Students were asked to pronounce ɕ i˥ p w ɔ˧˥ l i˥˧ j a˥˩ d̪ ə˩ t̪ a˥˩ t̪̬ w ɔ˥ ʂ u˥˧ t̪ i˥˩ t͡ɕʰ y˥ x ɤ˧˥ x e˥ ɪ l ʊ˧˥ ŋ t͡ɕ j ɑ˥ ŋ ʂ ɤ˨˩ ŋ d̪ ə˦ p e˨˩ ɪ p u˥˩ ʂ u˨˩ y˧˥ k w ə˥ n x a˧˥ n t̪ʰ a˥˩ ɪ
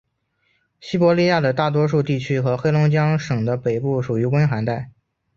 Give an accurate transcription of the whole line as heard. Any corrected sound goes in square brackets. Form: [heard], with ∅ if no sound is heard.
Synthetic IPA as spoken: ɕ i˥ p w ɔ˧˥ l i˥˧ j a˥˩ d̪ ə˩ t̪ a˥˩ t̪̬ w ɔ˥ ʂ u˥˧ t̪ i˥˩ t͡ɕʰ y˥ x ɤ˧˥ x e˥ ɪ l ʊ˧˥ ŋ t͡ɕ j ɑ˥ ŋ ʂ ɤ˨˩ ŋ d̪ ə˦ p e˨˩ ɪ p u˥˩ ʂ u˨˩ y˧˥ k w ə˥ n x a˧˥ n [t̪] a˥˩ ɪ